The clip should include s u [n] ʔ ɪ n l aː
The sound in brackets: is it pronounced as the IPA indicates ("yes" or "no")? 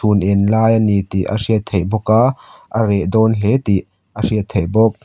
yes